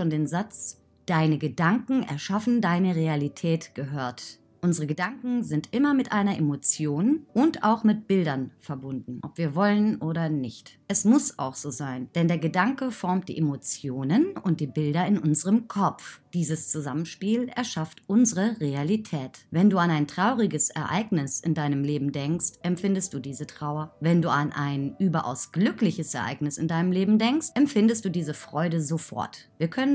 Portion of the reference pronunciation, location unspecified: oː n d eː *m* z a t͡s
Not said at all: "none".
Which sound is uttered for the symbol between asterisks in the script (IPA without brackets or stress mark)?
n